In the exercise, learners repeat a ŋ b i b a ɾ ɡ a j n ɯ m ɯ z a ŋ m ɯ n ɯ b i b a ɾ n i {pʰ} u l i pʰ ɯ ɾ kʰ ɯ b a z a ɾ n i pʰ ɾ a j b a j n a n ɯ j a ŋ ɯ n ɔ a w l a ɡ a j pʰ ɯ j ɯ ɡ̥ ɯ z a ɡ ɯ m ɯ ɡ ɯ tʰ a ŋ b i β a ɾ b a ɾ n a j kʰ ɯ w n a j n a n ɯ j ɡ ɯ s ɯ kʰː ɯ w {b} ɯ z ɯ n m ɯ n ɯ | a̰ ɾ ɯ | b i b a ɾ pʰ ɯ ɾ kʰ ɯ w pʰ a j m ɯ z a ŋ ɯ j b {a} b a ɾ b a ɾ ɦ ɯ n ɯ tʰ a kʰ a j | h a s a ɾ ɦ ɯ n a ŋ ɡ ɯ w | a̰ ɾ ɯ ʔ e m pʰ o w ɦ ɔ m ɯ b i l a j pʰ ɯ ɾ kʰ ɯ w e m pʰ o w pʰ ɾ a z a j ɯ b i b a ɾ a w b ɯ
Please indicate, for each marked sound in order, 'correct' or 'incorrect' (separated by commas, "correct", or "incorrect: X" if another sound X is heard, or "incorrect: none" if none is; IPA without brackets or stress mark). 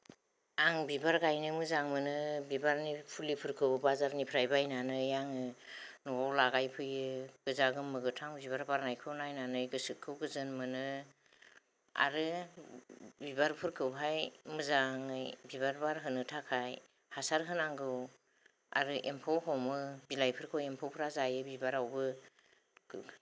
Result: correct, incorrect: ɡ, incorrect: i